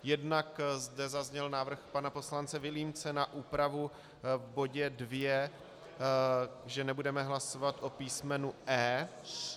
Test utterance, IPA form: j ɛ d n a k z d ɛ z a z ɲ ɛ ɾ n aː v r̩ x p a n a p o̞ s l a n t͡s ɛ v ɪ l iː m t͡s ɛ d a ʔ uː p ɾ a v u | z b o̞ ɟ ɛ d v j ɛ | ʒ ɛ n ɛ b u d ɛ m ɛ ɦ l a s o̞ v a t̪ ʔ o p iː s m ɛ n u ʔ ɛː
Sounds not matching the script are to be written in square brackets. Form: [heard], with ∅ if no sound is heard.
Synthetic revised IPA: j ɛ d n a k z d ɛ z a z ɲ ɛ [l] n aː v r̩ x p a n a p o̞ s l a n t͡s ɛ v ɪ l iː m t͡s ɛ [n] a ʔ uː p ɾ a v u | [v] b o̞ ɟ ɛ d v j ɛ | ʒ ɛ n ɛ b u d ɛ m ɛ ɦ l a s o̞ v a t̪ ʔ o p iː s m ɛ n u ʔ ɛː

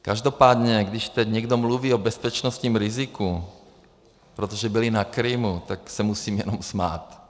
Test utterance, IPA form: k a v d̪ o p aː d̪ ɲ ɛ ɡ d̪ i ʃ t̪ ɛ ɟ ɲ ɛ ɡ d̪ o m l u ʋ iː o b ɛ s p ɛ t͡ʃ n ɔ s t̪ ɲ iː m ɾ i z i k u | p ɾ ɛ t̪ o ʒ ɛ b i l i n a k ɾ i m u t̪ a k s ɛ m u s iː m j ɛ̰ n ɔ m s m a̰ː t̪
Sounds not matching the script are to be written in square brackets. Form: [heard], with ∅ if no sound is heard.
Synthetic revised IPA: k a [ʒ] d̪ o p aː d̪ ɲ ɛ ɡ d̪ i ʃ t̪ ɛ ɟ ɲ ɛ ɡ d̪ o m l u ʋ iː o b ɛ s p ɛ t͡ʃ n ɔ s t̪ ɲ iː m ɾ i z i k u | p ɾ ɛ t̪ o ʒ ɛ b i l i n a k ɾ i m u t̪ a k s ɛ m u s iː m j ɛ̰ n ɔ m s m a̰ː t̪

